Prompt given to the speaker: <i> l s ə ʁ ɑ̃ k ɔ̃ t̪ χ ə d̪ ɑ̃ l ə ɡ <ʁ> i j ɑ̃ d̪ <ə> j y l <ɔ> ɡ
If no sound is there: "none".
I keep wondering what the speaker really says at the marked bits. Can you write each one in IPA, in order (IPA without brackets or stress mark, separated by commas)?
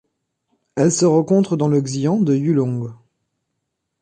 ɛ, z, ə, ɔ̃